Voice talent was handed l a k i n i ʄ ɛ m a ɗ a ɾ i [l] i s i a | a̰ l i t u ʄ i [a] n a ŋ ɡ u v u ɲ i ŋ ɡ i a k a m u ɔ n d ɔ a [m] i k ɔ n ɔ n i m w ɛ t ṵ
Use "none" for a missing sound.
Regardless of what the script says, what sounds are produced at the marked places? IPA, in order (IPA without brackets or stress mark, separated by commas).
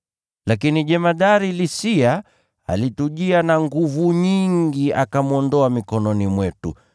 l, a, m